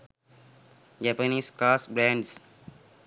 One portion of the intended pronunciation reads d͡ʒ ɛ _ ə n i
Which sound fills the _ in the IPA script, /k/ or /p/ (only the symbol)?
p